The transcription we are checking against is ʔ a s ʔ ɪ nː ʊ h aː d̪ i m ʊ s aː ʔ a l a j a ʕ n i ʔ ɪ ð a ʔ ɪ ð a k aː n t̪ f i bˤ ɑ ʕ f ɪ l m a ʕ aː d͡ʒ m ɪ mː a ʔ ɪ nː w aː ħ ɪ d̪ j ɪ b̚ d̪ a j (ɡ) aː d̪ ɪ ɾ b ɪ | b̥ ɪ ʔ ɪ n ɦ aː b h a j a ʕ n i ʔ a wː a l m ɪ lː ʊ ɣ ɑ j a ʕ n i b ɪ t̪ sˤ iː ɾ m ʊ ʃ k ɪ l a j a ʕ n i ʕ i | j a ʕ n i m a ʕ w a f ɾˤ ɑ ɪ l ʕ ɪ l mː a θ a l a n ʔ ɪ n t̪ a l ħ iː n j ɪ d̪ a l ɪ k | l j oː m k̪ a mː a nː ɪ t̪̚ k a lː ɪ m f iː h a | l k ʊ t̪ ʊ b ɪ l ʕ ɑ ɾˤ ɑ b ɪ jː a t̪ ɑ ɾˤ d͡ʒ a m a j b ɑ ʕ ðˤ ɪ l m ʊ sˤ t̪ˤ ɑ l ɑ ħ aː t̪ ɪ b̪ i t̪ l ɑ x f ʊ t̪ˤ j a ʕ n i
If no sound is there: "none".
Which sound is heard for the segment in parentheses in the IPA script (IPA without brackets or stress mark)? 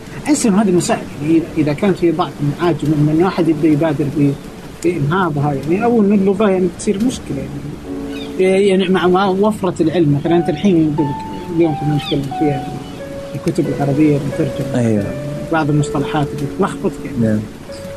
b